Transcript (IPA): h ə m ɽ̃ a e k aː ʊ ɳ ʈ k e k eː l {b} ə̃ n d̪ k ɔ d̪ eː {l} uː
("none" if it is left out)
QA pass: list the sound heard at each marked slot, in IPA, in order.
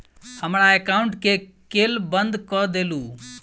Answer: b, l

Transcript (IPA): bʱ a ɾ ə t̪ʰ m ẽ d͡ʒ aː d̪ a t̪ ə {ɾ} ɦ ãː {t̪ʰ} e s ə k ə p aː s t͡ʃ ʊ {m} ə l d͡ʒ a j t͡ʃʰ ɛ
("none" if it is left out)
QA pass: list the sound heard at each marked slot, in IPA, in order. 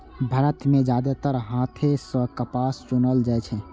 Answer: ɾ, t̪ʰ, n

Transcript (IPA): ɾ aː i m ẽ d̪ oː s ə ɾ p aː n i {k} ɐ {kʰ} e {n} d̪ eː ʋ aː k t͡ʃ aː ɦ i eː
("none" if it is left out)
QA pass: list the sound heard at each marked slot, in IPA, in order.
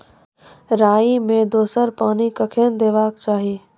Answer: k, kʰ, n

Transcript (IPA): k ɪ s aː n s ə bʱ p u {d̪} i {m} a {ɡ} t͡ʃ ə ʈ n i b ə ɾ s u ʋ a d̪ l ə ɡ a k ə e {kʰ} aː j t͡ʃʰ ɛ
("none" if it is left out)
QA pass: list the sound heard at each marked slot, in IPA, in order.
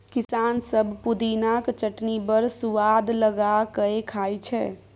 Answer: d̪, n, k, kʰ

